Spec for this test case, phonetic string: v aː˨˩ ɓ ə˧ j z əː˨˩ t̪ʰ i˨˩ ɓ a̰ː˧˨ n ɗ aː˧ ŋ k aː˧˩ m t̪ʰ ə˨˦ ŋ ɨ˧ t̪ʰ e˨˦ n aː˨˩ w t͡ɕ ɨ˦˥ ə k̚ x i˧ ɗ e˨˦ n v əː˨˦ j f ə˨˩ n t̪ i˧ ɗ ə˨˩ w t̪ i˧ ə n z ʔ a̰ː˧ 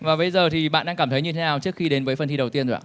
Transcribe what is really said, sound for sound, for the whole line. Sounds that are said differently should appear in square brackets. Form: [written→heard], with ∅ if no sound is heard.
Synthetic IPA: v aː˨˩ ɓ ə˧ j z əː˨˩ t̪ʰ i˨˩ ɓ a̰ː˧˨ n ɗ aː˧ ŋ k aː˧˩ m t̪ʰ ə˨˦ [ŋ→ɲ] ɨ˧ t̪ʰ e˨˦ n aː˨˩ w t͡ɕ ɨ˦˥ ə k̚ x i˧ ɗ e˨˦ n v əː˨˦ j f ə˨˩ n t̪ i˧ ɗ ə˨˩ w t̪ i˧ ə n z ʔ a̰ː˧

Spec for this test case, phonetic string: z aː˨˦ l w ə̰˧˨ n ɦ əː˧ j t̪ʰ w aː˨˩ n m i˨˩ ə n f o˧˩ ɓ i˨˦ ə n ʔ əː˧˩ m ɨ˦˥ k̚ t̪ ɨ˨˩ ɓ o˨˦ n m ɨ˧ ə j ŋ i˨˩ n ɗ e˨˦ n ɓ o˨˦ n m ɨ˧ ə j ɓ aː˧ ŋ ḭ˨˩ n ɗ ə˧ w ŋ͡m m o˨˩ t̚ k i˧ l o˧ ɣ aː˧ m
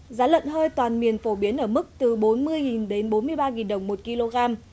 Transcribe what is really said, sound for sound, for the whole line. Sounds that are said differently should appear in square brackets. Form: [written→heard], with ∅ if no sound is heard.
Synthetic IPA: z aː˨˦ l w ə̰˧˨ n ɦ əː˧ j [t̪ʰ→t̪] w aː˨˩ n m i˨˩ ə n f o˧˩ ɓ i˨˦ ə n ʔ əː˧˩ m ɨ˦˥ k̚ t̪ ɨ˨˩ ɓ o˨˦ n m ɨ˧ ə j ŋ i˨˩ n ɗ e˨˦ n ɓ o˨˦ n m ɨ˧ ə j ɓ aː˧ ŋ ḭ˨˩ n ɗ [ə˧→ə˨˩] w ŋ͡m m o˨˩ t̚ k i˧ l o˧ ɣ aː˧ m

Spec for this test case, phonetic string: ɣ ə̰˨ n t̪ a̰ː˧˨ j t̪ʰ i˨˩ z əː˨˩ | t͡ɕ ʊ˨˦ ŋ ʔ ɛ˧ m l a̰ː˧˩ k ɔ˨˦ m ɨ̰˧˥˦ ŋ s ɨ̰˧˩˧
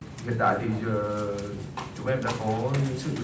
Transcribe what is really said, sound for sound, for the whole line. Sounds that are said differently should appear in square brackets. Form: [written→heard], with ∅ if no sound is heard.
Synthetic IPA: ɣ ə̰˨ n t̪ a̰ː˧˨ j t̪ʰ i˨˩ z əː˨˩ | t͡ɕ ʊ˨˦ [ŋ→ŋ͡m] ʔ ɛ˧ m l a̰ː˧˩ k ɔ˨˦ [m→ɲ] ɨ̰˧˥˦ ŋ s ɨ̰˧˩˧

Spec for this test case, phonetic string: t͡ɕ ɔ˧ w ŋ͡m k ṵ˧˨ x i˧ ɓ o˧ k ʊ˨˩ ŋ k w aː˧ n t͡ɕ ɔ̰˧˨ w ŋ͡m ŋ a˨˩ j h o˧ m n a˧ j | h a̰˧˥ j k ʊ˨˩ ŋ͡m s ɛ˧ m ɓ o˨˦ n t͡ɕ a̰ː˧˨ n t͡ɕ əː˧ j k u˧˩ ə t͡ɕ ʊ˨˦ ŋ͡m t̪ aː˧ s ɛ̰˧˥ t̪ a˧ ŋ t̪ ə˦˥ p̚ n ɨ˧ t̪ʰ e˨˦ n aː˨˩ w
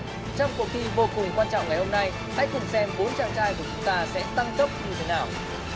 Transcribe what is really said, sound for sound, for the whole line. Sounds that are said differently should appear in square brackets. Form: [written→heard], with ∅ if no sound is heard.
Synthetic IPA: t͡ɕ ɔ˧ w ŋ͡m k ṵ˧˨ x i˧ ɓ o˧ k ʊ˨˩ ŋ k w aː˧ n t͡ɕ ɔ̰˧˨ w ŋ͡m ŋ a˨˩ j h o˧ m n a˧ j | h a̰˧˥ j k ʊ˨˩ ŋ͡m s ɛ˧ m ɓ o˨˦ n t͡ɕ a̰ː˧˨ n t͡ɕ [əː˧→aː˧] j k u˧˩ ə t͡ɕ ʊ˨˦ ŋ͡m t̪ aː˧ s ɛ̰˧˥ t̪ a˧ ŋ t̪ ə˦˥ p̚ [n→ɲ] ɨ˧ t̪ʰ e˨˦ n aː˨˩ w

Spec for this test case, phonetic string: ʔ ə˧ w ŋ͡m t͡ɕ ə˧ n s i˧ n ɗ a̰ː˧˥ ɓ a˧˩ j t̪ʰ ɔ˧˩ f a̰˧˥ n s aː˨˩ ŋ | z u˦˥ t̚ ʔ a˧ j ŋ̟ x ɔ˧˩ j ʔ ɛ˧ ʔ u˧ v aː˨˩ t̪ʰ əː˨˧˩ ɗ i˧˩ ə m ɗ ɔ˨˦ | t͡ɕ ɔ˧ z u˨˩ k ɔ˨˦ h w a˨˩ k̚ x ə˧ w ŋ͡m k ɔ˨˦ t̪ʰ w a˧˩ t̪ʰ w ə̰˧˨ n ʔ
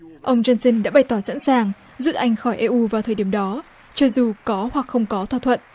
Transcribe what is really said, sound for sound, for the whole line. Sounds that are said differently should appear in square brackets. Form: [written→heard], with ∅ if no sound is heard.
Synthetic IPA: ʔ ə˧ w ŋ͡m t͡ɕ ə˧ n s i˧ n ɗ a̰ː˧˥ ɓ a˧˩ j [t̪ʰ→t̪] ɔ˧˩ [f→s] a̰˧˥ n s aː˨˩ ŋ | z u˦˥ t̚ ʔ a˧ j ŋ̟ x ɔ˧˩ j ʔ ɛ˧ ʔ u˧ v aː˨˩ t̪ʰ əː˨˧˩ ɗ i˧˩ ə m ɗ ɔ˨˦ | t͡ɕ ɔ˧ z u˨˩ k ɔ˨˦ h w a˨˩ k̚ x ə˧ w ŋ͡m k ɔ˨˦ t̪ʰ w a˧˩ t̪ʰ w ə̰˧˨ n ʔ

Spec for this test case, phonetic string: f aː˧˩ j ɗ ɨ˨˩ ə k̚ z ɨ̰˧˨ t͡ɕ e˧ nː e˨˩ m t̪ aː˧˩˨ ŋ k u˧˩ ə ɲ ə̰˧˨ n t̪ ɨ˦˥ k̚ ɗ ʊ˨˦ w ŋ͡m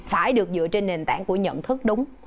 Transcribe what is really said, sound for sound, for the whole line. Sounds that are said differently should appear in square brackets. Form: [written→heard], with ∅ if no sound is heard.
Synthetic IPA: f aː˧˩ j ɗ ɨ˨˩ ə k̚ z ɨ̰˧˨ t͡ɕ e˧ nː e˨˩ [m→n] t̪ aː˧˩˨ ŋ k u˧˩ ə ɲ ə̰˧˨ n [t̪→t̪ʰ] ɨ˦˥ k̚ ɗ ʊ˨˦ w ŋ͡m

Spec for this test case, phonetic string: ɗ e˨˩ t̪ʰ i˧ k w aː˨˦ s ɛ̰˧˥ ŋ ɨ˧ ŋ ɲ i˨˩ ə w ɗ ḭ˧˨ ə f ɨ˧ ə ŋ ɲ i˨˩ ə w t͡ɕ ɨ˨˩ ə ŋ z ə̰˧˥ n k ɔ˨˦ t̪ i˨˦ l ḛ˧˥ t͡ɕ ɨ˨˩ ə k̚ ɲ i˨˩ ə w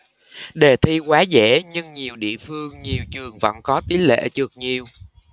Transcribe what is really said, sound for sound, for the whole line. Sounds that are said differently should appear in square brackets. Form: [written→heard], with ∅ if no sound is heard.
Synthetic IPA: ɗ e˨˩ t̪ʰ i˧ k w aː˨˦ [s→z] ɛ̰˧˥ [ŋ→ɲ] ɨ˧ ŋ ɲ i˨˩ ə w ɗ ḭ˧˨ ə f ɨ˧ ə ŋ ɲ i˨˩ ə w t͡ɕ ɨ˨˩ ə ŋ [z→v] ə̰˧˥ n k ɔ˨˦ t̪ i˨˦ l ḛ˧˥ t͡ɕ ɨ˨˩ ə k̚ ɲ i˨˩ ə w

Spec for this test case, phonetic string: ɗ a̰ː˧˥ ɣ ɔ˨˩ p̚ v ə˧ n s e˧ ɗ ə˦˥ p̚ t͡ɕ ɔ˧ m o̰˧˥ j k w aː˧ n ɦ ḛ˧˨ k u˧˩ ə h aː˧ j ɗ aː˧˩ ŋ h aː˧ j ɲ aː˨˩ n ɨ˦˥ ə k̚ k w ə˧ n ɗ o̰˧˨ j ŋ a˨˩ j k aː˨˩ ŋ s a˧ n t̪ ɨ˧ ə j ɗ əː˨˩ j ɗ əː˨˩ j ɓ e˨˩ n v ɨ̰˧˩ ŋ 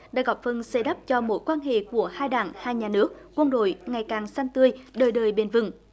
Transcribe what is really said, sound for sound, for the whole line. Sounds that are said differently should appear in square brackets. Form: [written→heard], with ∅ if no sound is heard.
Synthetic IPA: ɗ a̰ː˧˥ ɣ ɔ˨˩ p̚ [v→f] ə˧ n s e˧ ɗ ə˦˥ p̚ t͡ɕ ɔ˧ m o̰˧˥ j k w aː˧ n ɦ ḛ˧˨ k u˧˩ ə h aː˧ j ɗ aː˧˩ ŋ h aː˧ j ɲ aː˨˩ n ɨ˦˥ ə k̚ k w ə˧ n ɗ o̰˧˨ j ŋ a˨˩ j k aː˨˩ ŋ s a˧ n t̪ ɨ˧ ə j ɗ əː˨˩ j ɗ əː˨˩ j ɓ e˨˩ n v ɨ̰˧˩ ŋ

